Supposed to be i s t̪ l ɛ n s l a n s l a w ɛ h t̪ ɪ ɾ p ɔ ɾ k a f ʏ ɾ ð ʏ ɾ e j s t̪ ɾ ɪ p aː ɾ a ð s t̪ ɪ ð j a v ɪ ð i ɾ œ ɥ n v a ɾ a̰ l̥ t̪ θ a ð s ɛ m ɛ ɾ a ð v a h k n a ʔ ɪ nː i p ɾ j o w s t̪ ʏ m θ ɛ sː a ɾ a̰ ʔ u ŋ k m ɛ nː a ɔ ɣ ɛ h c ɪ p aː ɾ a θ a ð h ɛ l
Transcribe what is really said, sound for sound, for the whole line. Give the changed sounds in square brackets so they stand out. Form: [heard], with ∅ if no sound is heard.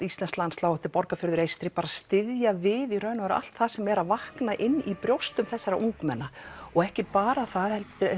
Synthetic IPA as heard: i s t̪ l ɛ n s l a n s l a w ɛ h t̪ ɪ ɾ p ɔ ɾ k a f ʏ ɾ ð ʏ ɾ e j s t̪ ɾ ɪ p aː ɾ a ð s t̪ ɪ ð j a v ɪ ð i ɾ œ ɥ n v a ɾ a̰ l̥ t̪ θ a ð s ɛ m ɛ ɾ a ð v a h k n a ʔ ɪ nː i p ɾ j o w s t̪ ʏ m θ ɛ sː a ɾ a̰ ʔ u ŋ k m ɛ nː a ɔ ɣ ɛ h c ɪ p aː ɾ a θ a ð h ɛ l